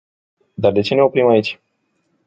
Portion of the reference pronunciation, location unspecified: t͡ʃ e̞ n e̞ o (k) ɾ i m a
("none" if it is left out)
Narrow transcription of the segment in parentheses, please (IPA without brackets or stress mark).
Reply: p